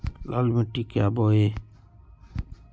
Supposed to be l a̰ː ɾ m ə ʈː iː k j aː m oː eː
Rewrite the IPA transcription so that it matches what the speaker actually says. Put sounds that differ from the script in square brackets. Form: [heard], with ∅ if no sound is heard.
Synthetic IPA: l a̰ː [l] m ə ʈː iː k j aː [b] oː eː